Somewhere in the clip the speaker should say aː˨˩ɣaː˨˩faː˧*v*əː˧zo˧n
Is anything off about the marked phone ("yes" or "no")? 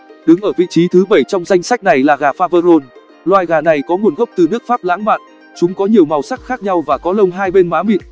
no